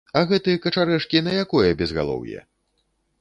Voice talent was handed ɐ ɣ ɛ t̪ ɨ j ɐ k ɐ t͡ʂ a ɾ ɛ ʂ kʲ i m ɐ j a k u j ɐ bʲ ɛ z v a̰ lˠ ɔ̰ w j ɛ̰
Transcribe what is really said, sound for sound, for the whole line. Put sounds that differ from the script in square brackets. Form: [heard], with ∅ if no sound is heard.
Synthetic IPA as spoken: ɐ ɣ ɛ t̪ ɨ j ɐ k ɐ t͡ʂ a ɾ ɛ ʂ kʲ i [n] ɐ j a k [ɔ] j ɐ bʲ ɛ z [ɣ] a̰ lˠ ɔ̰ w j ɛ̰